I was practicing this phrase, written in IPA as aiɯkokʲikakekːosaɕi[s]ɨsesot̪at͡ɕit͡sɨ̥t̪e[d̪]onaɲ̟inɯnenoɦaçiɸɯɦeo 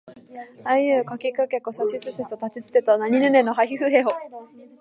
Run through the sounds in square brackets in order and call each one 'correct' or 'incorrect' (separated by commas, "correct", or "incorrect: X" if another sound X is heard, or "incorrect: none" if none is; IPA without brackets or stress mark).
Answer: correct, incorrect: t̪